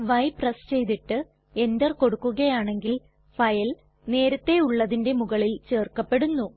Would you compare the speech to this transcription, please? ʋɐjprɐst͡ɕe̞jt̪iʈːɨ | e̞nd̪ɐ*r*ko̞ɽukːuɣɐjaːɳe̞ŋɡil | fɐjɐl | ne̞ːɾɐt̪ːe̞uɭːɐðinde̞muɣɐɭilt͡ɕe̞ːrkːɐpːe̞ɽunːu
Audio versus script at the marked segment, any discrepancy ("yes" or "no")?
no